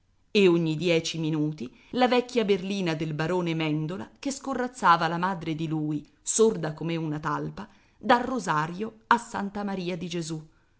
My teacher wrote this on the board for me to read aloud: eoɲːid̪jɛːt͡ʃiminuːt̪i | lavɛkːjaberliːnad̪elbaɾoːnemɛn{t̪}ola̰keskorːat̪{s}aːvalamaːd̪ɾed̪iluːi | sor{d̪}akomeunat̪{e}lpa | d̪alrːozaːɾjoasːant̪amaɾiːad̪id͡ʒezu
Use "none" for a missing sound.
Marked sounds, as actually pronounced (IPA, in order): d̪, sː, d̪, a

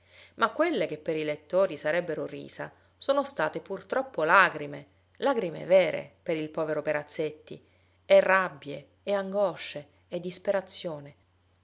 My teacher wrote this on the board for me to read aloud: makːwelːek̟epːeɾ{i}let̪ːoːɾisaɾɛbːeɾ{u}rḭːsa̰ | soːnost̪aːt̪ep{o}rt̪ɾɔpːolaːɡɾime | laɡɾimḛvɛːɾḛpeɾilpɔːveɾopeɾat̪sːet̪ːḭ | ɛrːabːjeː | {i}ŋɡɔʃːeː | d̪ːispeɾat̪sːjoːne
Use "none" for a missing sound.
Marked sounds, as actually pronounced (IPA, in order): i, o, u, a

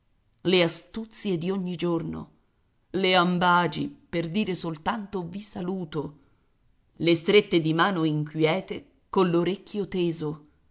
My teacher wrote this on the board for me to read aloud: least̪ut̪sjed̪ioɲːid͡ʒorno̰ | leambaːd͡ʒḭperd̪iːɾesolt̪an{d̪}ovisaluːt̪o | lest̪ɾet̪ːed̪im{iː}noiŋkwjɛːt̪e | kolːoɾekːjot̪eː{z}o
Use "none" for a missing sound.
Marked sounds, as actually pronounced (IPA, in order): t̪, aː, z

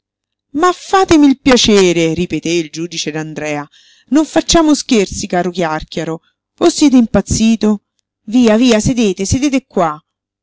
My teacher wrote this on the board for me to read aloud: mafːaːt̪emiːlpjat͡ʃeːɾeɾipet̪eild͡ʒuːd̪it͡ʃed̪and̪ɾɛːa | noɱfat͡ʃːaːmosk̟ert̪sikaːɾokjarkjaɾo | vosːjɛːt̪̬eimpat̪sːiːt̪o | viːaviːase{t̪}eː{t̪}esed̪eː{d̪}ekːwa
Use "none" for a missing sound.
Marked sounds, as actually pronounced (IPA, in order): d̪, t̪, t̪

